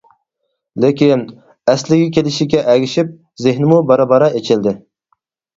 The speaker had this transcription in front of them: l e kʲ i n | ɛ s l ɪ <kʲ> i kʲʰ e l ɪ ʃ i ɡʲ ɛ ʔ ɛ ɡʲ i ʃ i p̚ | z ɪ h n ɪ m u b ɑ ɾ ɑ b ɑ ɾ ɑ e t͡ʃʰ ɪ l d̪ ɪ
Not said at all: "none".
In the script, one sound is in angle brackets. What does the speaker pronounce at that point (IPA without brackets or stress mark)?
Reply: ɡʲ